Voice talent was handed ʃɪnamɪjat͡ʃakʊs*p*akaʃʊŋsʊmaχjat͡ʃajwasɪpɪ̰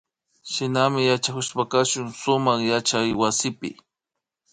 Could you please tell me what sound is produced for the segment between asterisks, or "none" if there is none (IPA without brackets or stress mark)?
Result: p